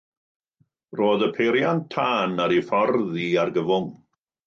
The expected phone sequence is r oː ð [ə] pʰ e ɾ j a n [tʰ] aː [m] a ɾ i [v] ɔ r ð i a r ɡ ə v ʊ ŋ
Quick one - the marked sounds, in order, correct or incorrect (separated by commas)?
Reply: correct, correct, incorrect, incorrect